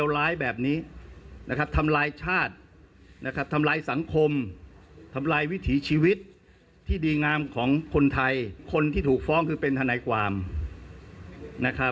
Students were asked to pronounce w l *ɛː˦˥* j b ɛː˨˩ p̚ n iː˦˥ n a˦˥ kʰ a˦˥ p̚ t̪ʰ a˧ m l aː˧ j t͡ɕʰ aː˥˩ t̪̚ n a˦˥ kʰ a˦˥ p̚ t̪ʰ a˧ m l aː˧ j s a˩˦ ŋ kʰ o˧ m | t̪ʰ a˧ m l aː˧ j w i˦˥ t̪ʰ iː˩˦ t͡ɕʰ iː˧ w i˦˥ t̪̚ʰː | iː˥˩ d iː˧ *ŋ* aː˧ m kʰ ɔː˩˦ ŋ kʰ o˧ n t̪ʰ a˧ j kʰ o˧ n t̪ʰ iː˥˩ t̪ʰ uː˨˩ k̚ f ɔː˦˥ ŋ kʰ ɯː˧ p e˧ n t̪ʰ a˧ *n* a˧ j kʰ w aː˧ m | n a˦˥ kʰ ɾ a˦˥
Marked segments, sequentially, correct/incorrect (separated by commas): incorrect, correct, correct